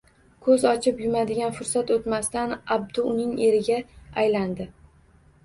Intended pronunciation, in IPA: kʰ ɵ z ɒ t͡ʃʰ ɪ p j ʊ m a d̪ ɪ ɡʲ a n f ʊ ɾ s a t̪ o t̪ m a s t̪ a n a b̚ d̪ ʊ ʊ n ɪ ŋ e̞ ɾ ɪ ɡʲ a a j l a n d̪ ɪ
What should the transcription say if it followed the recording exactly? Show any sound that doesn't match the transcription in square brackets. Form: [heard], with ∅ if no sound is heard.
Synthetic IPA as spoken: kʰ ɵ z ɒ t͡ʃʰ ɪ p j ʊ m a d̪ ɪ ɡʲ a n f ʊ ɾ s a t̪ o t̪ m a s t̪ a n a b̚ d̪ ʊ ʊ n ɪ ŋ e̞ ɾ ɪ ɡʲ a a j l a n d̪ ɪ